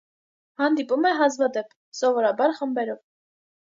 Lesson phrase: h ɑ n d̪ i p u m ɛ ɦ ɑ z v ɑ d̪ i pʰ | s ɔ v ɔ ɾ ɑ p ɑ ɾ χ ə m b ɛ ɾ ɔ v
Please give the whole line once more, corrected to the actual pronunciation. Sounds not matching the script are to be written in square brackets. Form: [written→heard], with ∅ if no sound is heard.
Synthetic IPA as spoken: h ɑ n d̪ i p u m ɛ ɦ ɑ z v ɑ d̪ [i→ɛ] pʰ | s ɔ v ɔ ɾ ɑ [p→b] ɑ ɾ χ ə m b ɛ ɾ ɔ v